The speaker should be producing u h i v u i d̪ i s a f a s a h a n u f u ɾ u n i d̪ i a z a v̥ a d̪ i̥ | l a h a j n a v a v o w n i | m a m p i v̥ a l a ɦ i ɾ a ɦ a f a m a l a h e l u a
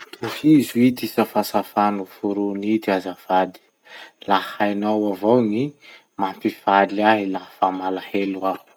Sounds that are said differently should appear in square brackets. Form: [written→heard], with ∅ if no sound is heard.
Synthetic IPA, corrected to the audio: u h i [v→z] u i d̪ i s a f a s a [h→f] a n u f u ɾ u n i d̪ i a z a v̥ a d̪ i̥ | l a h a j n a [v→w] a v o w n i | m a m p i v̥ a l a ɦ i [ɾ→l] a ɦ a f a m a l a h e l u a

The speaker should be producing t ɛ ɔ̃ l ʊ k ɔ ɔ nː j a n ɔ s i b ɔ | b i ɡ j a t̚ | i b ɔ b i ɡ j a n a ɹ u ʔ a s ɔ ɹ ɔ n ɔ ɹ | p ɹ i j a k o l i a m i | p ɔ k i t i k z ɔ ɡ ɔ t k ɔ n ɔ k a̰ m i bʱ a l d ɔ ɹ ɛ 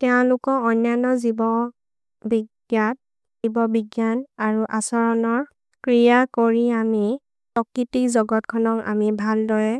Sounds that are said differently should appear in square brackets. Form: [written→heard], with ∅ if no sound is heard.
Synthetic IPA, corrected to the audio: t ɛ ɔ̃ l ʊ k ɔ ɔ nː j a n ɔ [s→z] i b ɔ | b i ɡ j a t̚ | i b ɔ b i ɡ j a n a ɹ u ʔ a s ɔ ɹ ɔ n ɔ ɹ | [p→k] ɹ i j a k o [l→ɹ] i a m i | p ɔ k i t i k z ɔ ɡ ɔ t [k→kʰ] ɔ n ɔ k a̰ m i bʱ a l d ɔ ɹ ɛ

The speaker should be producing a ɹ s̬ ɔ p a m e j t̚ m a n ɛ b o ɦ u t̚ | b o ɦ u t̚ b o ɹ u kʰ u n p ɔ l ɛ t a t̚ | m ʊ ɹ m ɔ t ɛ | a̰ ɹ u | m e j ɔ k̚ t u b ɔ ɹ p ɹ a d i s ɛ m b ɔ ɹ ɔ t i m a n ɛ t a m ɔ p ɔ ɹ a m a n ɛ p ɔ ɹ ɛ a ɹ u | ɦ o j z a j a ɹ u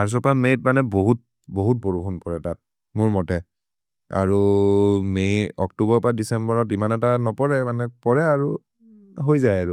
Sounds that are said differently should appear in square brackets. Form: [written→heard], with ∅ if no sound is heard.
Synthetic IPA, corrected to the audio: a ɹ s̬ ɔ p a m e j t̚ m a n ɛ b o ɦ u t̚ | b o ɦ u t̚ b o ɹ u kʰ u n p ɔ [l→ɹ] ɛ t a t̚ | m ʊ ɹ m ɔ t ɛ | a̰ ɹ u | m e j ɔ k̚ t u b ɔ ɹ p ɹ a d i s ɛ m b ɔ ɹ ɔ t i m a n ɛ t a [m→n] ɔ p ɔ ɹ [a→ɛ] m a n ɛ p ɔ ɹ ɛ a ɹ u | ɦ o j z a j a ɹ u

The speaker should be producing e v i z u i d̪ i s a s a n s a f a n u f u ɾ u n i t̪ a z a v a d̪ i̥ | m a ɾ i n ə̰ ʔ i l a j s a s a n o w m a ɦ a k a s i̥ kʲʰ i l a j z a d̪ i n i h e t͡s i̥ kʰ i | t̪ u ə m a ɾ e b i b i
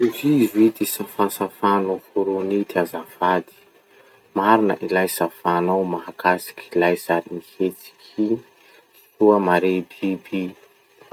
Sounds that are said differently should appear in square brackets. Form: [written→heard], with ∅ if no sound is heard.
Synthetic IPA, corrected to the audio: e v i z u i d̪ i s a [s→f] a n s a f a n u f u ɾ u n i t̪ a z a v a d̪ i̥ | m a ɾ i n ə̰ ʔ i l a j s a [s→f] a n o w m a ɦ a k a s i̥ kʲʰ i l a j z a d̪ i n i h e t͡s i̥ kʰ i | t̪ u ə m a ɾ e b i b i

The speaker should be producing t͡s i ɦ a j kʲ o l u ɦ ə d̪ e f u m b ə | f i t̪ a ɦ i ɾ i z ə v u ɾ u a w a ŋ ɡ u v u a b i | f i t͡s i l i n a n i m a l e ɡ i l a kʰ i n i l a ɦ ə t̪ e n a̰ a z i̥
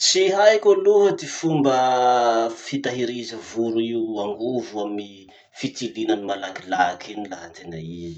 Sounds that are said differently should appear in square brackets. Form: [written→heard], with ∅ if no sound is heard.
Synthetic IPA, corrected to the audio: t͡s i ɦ a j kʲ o l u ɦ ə d̪ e f u m b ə | f i t̪ a ɦ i ɾ i z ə v u ɾ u [a→i] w a ŋ ɡ u v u a [b→m] i | f i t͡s i l i n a n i m a l [e→a] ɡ i l a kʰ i n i l a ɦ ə t̪ e n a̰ [a→i] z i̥

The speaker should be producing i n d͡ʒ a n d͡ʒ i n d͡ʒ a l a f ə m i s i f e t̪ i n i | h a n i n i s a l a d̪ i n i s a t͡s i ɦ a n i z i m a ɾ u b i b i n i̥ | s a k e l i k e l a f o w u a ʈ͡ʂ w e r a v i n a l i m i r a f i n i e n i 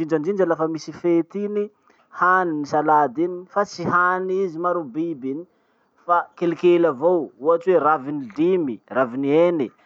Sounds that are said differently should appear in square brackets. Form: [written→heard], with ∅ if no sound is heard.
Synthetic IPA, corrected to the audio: i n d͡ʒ a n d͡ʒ i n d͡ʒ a l a f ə m i s i f e t̪ i n i | h a n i n i s a l a d̪ i n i [s→f] a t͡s i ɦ a n i z i m a ɾ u b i b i n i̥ | [s→f] a k e l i k e l a [f→v] o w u a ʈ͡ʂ w e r a v i n [a→i] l i m i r a [f→v] i n i e n i

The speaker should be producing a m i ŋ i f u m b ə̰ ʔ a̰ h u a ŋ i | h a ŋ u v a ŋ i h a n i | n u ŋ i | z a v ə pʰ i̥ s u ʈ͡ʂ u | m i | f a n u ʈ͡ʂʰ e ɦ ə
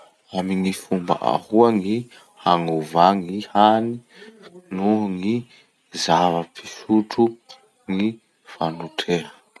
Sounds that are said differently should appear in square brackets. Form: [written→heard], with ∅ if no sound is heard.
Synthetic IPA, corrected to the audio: a m i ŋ i f u m b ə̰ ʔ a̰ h u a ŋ i | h a ŋ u v a ŋ i h a n i | n u ŋ i | z a v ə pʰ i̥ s u ʈ͡ʂ u | [m→ŋ] i | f a n u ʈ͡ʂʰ e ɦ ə

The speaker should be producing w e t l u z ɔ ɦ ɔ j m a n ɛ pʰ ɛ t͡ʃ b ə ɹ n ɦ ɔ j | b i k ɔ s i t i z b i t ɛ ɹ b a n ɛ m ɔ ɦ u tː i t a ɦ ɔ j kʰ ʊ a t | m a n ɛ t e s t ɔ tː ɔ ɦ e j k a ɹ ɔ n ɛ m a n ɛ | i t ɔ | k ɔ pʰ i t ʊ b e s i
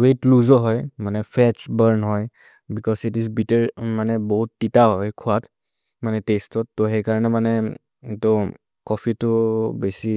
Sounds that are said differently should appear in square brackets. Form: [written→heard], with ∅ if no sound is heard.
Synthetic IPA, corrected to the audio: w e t l u z ɔ ɦ ɔ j m a n ɛ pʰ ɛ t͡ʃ b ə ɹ n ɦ ɔ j | b i k ɔ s i t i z b i t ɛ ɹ [b→m] a n ɛ [m→b] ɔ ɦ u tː i t a ɦ ɔ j kʰ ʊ a t | m a n ɛ t e s t ɔ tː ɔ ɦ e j k a ɹ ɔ n ɛ m a n ɛ | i t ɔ | k ɔ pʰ i t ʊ b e s i

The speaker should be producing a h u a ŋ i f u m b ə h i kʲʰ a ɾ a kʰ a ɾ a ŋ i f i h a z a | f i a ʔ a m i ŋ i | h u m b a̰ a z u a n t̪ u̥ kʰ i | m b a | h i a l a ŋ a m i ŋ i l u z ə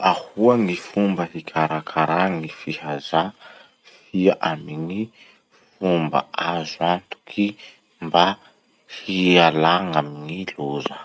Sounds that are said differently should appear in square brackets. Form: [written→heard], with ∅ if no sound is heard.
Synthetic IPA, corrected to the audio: a h u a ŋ i f u m b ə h i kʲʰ a ɾ a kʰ a ɾ a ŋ i f i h a z a | f i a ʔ a m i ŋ i | [h→f] u m b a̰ a z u a n t̪ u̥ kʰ i | m b a | h i a l a ŋ a m i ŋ i l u z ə

